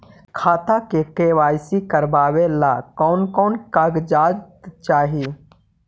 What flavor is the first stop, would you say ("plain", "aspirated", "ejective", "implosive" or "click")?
aspirated